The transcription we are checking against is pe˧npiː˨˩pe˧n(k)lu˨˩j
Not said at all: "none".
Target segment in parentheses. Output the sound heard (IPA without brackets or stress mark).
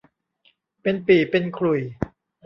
kʰ